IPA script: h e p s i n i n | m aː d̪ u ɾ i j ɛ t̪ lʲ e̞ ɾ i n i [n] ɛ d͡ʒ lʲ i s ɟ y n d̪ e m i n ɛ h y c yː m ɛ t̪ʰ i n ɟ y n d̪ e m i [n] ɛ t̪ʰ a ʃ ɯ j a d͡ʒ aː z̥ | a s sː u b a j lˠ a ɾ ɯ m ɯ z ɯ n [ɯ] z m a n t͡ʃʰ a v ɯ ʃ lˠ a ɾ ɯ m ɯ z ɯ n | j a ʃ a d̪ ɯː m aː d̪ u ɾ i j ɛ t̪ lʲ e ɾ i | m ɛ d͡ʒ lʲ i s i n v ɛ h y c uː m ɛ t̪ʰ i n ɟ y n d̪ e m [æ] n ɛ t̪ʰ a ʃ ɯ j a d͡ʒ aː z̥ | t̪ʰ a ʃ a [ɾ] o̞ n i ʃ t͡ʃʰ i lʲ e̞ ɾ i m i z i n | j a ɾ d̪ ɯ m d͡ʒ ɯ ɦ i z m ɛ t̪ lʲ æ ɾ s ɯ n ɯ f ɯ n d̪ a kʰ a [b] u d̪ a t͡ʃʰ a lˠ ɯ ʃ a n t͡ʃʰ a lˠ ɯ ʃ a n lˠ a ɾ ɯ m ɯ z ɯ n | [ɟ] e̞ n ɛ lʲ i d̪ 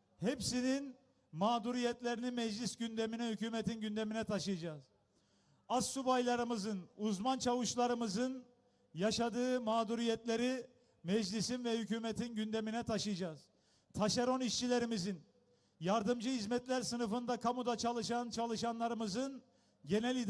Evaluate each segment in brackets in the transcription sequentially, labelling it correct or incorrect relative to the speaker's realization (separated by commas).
incorrect, correct, incorrect, incorrect, correct, incorrect, correct